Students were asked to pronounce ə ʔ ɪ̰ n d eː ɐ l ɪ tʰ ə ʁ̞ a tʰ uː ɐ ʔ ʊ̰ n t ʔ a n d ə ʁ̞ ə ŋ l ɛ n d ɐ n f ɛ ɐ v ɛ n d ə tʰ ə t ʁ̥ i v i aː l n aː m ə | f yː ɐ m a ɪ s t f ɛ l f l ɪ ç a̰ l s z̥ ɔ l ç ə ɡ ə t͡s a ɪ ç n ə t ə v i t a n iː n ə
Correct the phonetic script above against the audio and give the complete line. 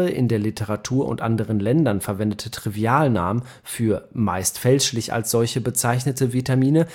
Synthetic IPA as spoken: ə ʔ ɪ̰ n d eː ɐ l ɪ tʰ ə ʁ̞ a tʰ uː ɐ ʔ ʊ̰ n t ʔ a n d ə ʁ̞ ə n l ɛ n d ɐ n f ɛ ɐ v ɛ n d ə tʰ ə t ʁ̥ i v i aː l n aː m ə | f yː ɐ m a ɪ s t f ɛ l ʃ l ɪ ç a̰ l s z̥ ɔ l ç ə b ə t͡s a ɪ ç n ə t ə v i t a m iː n ə